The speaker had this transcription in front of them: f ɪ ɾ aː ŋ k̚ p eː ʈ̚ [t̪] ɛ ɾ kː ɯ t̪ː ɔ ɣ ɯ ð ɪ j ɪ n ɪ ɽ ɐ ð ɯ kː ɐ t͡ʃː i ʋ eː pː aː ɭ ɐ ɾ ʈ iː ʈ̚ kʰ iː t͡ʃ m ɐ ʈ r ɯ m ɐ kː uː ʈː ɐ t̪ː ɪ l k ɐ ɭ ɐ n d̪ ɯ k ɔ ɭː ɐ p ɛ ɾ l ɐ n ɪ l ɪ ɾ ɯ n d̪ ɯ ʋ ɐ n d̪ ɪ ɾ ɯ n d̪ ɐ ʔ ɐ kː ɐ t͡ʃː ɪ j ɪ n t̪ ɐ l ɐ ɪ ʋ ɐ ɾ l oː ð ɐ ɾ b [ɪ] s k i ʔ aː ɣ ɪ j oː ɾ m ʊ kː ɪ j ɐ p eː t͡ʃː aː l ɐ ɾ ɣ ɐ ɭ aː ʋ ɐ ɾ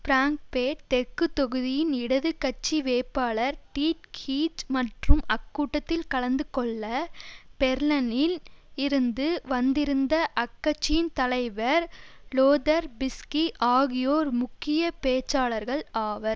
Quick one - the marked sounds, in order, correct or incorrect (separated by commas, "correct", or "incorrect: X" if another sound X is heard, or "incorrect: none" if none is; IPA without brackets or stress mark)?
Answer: correct, correct